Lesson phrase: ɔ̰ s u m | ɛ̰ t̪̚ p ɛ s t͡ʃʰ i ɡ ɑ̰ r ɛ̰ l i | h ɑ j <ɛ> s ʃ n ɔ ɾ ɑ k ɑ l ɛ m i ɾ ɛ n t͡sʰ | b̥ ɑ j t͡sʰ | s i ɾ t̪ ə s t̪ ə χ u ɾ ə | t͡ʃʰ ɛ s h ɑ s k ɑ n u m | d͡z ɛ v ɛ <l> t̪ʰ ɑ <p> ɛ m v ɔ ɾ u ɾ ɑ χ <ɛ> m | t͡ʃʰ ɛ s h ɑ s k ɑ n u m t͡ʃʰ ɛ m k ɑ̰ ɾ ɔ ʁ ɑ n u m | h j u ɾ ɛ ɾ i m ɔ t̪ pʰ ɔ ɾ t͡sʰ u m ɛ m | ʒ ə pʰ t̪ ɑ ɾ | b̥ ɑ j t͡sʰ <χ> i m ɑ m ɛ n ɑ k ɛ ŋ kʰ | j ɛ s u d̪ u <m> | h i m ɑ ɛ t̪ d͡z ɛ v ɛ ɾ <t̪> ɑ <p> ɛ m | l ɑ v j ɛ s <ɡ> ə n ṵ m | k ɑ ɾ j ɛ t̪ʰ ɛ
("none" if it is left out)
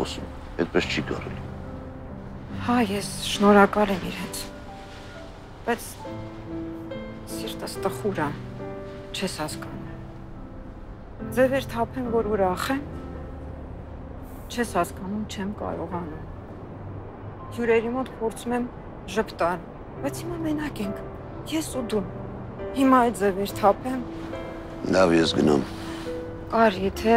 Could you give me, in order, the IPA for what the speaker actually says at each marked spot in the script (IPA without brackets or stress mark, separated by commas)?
ɛ, ɾ, pʰ, ɛ, h, m, t̪ʰ, pʰ, ɡ